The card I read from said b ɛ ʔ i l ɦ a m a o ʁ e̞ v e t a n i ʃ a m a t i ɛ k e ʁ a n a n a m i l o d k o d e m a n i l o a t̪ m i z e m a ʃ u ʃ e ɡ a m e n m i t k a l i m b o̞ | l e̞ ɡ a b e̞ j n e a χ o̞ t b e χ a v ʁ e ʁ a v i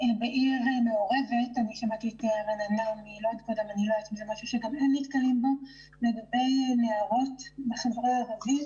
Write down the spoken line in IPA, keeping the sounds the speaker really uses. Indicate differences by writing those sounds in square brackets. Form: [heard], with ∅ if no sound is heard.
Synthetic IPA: b [e] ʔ i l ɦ a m [e] o ʁ e̞ v e t a n i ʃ a m a t i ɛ [t] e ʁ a n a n a m i l o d k o d e m a n i l o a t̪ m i z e m a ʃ u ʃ e ɡ a m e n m i t k a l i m b o̞ | l e̞ ɡ a b e̞ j n e a [ʁ] o̞ t b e χ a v ʁ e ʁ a v i